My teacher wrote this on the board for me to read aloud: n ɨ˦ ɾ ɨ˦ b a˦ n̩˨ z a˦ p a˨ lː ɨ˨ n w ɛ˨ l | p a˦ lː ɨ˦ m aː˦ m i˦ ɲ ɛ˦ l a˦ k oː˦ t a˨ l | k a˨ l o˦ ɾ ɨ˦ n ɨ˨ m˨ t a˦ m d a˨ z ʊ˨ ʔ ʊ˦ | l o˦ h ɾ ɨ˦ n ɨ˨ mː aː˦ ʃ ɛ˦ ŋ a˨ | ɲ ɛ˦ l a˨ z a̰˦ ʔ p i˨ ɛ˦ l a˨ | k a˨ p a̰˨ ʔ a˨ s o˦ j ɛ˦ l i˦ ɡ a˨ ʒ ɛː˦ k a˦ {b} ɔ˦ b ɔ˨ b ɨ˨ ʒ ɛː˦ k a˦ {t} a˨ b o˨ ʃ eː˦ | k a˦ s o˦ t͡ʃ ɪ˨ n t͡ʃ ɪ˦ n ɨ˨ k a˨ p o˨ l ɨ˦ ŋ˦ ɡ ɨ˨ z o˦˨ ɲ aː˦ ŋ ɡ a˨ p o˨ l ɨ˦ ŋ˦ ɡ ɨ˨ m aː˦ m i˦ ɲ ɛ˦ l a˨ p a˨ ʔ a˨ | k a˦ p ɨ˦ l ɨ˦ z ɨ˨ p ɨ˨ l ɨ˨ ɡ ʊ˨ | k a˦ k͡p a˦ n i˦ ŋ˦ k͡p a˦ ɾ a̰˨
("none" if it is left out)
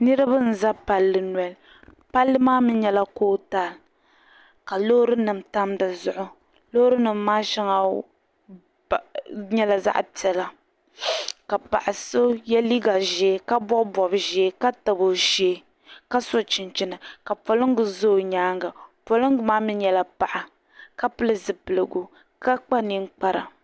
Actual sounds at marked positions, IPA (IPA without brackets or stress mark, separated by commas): b, t